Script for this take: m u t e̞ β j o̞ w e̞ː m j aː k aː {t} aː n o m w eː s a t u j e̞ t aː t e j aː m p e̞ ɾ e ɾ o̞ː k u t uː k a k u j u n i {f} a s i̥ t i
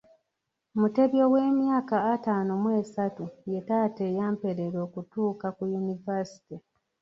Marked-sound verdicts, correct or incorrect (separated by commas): correct, incorrect